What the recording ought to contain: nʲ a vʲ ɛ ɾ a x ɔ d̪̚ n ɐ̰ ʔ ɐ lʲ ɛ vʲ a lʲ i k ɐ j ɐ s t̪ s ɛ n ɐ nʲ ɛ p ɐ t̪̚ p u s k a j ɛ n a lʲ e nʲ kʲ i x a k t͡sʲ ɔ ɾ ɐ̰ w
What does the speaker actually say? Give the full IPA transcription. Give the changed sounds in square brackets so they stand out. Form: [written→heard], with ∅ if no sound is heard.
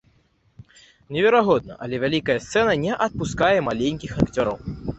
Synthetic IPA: nʲ [a→ɛ] vʲ ɛ ɾ a [x→ɣ] ɔ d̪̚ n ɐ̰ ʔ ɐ lʲ ɛ vʲ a lʲ i k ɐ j ɐ s t̪ s ɛ n ɐ nʲ ɛ [p→ʔ] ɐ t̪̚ p u s k a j ɛ [n→m] a lʲ e nʲ kʲ i x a k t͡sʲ ɔ ɾ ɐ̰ w